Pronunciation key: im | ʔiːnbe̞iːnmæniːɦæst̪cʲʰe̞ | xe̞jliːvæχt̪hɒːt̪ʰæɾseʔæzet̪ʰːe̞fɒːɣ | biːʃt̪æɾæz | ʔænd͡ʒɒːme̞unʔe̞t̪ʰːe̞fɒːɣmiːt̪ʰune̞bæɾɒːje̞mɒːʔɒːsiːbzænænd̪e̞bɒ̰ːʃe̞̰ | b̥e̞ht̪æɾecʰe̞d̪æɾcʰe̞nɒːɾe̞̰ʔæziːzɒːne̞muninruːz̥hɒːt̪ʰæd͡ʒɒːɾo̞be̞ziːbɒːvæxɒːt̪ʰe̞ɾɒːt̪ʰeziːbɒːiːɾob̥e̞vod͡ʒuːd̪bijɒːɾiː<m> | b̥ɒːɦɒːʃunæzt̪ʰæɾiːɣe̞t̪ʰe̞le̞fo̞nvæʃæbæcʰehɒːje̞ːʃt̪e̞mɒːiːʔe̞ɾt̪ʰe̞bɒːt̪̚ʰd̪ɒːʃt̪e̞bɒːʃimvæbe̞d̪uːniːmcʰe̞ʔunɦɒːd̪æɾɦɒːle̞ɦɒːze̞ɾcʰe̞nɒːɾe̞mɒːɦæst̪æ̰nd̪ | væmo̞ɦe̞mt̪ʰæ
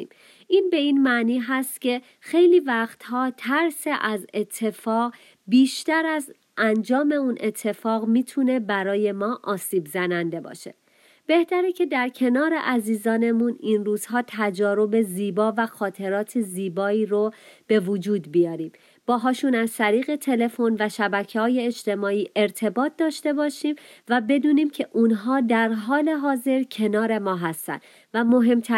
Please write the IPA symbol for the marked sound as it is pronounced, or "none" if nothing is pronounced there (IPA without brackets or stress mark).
m